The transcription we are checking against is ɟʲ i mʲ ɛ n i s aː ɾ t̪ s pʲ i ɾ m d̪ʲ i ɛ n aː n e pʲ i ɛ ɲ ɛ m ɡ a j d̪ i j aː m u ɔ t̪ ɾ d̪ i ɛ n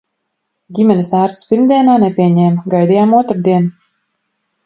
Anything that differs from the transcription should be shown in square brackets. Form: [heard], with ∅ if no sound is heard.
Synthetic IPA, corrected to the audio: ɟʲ i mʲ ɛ n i s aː ɾ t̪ s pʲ i ɾ m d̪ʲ i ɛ n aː n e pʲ i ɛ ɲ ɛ m ɡ a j d̪ i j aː m u ɔ t̪ ɾ d̪ i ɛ n